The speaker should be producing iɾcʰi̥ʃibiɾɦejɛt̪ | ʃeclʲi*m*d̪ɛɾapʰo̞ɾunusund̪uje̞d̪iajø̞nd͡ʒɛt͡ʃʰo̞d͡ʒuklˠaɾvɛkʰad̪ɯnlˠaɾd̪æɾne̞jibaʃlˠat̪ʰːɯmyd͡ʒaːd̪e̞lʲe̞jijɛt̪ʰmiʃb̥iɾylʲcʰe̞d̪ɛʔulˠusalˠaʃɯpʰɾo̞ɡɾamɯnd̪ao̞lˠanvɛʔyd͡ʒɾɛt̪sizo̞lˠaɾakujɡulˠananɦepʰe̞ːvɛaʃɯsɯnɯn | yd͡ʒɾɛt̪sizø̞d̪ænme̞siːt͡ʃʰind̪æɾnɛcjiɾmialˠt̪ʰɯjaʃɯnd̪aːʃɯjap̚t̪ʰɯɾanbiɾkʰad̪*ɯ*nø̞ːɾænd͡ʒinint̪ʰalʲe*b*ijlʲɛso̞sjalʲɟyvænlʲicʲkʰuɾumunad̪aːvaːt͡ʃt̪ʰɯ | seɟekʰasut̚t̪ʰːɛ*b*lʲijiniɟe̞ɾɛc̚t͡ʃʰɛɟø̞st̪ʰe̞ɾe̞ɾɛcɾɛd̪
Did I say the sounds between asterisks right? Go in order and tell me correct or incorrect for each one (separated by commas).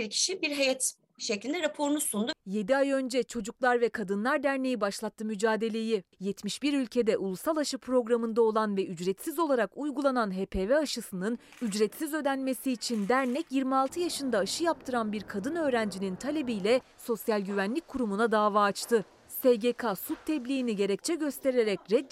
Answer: incorrect, correct, correct, correct